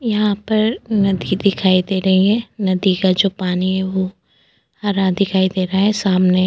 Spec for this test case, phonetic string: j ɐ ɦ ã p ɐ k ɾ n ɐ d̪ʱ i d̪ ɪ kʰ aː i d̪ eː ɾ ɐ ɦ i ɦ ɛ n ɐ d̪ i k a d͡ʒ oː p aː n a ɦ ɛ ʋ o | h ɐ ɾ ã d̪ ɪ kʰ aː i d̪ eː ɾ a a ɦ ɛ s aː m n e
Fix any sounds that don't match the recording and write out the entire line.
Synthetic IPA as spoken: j ɐ ɦ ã p ɐ ɾ n ɐ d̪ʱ i d̪ ɪ kʰ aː i d̪ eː ɾ ɐ ɦ i ɦ ɛ n ɐ d̪ i k a d͡ʒ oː p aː n i ɦ ɛ ʋ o | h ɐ ɾ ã d̪ ɪ kʰ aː i d̪ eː ɾ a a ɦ ɛ s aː m n e